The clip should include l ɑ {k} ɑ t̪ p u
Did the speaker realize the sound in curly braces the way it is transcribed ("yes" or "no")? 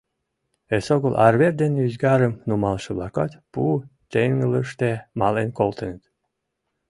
yes